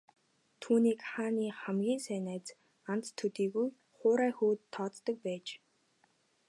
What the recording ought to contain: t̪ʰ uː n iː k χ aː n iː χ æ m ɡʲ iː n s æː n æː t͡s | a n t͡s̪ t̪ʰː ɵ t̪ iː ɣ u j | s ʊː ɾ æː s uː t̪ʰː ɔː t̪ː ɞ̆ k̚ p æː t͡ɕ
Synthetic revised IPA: t̪ʰ uː n iː k χ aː n iː χ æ m ɡʲ iː n s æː n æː t͡s | a n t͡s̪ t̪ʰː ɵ t̪ iː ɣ u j | χ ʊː ɾ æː x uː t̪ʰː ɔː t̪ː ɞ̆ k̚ p æː t͡ɕ